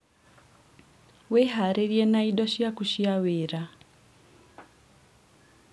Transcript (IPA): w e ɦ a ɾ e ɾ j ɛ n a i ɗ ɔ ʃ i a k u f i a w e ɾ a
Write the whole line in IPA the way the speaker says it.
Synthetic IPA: w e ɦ a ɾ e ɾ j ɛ n a i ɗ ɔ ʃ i a k u ʃ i a w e ɾ a